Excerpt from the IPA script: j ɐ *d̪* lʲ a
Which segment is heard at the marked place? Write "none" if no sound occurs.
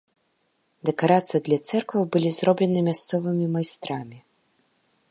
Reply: d̪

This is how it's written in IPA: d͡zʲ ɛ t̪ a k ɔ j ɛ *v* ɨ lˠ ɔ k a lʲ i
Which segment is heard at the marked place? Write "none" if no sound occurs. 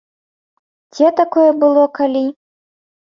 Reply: b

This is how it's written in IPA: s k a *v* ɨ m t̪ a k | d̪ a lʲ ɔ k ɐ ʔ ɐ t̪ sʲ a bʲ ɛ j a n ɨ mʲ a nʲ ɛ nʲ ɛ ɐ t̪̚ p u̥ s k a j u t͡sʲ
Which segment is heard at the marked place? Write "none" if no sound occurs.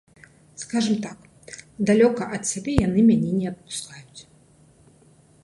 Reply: ʐ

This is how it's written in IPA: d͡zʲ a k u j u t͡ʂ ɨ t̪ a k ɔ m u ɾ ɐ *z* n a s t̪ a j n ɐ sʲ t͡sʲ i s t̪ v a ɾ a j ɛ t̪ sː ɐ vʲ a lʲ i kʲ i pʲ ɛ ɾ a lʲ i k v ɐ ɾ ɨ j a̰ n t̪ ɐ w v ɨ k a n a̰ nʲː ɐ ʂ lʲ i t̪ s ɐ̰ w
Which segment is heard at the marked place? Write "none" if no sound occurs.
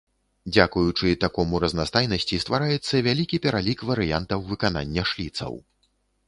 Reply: z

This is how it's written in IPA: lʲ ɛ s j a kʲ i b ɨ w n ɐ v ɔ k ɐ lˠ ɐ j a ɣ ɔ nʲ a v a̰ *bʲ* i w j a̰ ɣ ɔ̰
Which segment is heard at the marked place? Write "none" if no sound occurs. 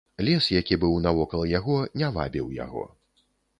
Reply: bʲ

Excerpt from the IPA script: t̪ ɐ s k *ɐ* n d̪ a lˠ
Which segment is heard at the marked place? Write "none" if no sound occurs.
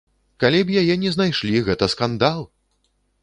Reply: a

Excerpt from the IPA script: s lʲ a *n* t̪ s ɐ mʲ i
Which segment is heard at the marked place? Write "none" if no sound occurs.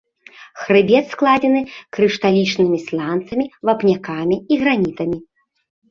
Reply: n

